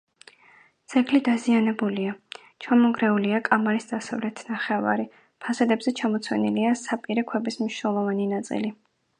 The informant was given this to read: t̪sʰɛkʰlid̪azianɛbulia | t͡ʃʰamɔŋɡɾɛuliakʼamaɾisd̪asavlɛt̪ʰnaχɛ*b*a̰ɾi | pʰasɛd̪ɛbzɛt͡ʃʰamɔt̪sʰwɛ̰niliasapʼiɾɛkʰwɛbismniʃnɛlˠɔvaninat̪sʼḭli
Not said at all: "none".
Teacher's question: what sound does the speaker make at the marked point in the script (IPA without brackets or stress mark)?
v